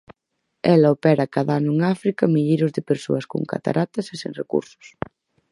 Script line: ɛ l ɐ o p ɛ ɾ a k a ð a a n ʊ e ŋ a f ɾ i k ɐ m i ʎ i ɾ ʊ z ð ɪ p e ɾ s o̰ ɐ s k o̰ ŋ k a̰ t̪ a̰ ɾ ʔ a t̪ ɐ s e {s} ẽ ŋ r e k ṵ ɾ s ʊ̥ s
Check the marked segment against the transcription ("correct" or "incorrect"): correct